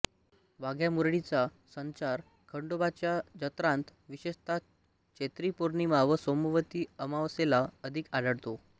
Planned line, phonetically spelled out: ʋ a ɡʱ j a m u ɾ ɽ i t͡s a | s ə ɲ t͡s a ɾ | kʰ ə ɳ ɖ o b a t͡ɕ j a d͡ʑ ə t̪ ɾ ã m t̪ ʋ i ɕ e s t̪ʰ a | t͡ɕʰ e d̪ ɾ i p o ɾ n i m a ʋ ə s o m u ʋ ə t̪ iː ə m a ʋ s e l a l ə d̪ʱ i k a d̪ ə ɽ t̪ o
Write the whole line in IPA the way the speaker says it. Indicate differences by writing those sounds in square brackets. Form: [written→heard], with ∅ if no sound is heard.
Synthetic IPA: ʋ a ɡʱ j a m u ɾ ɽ i t͡s a | s ə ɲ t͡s a ɾ | kʰ ə ɳ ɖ o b a t͡ɕ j a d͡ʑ ə t̪ ɾ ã [m→n] t̪ ʋ i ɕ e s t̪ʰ a | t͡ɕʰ e [d̪→t̪] ɾ i p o ɾ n i m a ʋ ə s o m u ʋ ə t̪ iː ə m a ʋ s e l a [l→∅] ə d̪ʱ i k a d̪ ə ɽ t̪ o